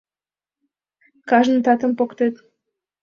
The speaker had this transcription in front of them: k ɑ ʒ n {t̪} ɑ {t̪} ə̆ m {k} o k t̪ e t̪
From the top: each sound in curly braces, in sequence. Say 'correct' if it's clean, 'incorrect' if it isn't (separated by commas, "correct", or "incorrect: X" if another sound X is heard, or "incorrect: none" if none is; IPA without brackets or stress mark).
correct, correct, incorrect: p